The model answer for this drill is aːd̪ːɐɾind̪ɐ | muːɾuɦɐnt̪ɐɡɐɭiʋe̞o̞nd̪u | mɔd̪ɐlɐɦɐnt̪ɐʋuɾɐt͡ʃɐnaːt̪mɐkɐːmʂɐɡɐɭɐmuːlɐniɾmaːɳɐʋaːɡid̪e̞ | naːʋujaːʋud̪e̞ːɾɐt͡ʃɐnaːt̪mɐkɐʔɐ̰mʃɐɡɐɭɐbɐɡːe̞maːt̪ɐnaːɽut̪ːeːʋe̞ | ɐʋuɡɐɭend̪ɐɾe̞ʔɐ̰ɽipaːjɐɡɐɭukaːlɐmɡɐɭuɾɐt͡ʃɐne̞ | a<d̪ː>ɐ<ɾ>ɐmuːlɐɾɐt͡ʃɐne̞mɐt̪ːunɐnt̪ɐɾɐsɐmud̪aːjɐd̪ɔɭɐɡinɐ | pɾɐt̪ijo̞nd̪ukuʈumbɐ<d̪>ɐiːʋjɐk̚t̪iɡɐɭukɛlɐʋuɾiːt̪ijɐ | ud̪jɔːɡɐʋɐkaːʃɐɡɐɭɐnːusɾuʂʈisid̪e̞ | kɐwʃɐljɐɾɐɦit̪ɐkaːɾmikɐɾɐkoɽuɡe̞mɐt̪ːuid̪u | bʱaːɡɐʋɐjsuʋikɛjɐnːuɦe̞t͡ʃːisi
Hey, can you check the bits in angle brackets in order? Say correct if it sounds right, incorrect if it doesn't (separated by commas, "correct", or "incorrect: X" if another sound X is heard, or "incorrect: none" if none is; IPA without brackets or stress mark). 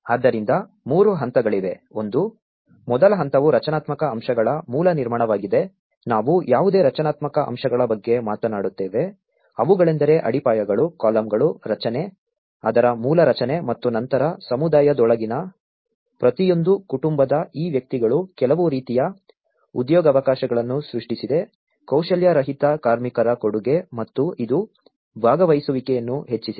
incorrect: d̪, correct, correct